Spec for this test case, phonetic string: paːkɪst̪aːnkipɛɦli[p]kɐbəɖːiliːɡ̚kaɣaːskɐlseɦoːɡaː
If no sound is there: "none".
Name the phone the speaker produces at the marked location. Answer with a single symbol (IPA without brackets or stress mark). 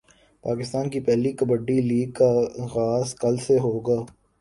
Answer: none